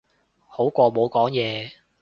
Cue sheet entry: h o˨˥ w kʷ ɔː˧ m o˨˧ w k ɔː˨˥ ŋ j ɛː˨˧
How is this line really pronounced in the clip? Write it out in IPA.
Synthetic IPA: h o˨˥ w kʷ ɔː˧ m o˨˧ w k ɔː˨˥ ŋ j ɛː˨˧

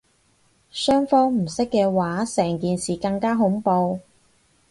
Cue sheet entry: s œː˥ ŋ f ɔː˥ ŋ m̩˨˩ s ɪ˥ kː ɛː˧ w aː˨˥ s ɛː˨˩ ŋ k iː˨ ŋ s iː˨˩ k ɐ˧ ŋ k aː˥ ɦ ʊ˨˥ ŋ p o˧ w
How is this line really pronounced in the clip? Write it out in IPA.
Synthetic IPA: s œː˥ ŋ f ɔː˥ ŋ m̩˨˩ s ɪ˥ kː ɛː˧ w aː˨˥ s ɛː˨˩ ŋ k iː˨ n s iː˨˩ k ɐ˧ ŋ k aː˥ ɦ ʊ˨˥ ŋ p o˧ w

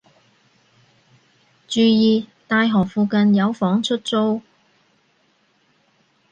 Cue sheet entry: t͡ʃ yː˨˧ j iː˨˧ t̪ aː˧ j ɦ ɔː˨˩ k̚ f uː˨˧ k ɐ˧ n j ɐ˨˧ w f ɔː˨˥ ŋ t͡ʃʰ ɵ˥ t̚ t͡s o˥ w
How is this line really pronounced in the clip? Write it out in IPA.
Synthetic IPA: t͡ʃ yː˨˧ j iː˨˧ t̪ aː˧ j ɦ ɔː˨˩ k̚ f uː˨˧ k ɐ˧ n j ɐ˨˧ w f ɔː˨˥ ŋ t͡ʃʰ ɵ˥ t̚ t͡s o˥ w

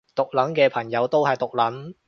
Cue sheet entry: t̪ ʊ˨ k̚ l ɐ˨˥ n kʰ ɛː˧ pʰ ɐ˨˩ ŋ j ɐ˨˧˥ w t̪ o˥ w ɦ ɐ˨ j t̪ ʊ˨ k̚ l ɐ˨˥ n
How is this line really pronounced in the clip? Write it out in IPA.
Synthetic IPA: t̪ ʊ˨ k̚ l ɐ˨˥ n k ɛː˧ pʰ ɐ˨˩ ŋ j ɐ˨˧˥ w t̪ o˥ w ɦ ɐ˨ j t̪ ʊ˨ k̚ l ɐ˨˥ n

